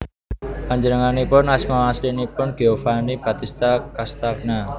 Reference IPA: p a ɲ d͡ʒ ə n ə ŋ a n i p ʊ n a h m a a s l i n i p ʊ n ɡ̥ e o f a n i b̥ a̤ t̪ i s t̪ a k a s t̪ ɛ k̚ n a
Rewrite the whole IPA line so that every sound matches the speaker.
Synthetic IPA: p a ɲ d͡ʒ ə n ə ŋ a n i p ʊ n a s m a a s l i n i p ʊ n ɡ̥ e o f a n i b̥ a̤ t̪ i s t̪ a k a s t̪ a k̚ n a